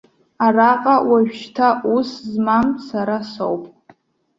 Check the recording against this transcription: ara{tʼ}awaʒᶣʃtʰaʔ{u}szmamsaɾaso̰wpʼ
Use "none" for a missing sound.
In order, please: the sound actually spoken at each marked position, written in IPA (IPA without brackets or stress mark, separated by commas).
qʼ, u